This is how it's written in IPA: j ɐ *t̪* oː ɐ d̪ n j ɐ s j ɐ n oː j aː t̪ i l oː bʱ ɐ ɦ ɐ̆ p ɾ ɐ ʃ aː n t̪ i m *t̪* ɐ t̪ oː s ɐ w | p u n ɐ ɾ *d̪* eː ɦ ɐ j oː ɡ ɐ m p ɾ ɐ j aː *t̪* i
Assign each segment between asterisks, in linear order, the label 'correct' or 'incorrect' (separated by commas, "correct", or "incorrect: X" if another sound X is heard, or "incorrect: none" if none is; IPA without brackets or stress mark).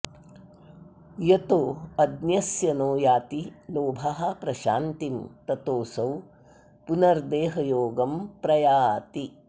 correct, correct, correct, correct